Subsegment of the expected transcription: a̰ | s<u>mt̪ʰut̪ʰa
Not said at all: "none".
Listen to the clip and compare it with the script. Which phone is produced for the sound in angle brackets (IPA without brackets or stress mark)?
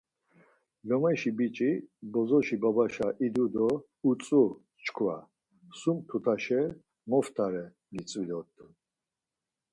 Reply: u